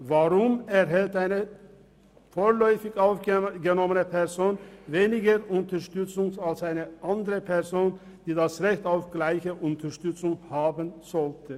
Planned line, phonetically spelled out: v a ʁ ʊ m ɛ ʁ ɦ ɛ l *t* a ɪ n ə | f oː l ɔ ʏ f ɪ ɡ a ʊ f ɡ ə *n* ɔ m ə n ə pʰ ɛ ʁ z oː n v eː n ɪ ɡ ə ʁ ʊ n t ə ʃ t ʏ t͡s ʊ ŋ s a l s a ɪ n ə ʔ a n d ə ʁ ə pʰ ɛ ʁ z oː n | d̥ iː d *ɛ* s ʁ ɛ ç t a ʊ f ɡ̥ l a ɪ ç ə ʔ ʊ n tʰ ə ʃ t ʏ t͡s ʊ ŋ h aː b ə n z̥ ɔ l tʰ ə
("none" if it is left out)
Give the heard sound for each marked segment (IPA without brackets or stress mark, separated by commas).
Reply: t, n, a